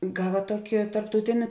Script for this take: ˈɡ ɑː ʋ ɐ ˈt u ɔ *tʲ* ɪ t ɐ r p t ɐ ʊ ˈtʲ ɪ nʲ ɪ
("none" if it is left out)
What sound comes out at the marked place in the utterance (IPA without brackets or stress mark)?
kʲ